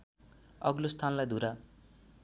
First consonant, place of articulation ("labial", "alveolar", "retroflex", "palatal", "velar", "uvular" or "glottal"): velar